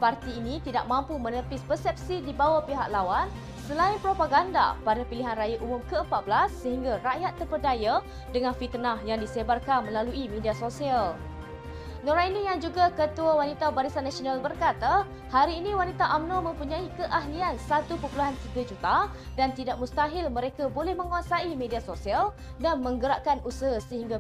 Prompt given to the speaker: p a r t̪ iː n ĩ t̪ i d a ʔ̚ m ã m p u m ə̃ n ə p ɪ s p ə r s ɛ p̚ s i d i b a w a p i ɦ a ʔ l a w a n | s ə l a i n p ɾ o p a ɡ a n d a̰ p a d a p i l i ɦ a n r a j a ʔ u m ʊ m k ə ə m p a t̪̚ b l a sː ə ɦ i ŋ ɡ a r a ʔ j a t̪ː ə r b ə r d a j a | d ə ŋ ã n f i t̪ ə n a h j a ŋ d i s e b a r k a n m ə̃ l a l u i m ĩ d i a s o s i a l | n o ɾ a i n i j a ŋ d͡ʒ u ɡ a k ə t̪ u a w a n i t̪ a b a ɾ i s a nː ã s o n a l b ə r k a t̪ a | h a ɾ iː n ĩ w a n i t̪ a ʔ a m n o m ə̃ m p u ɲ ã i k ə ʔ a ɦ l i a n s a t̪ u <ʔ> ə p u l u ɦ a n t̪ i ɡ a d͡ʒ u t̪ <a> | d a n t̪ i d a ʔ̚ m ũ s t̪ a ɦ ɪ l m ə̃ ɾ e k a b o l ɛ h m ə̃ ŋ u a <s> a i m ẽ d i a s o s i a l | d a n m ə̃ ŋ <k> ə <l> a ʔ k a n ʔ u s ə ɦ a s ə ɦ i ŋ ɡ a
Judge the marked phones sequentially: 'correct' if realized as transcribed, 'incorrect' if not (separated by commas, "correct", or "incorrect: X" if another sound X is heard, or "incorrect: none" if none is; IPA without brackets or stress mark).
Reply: incorrect: p, correct, correct, incorrect: ɡ, incorrect: ɾ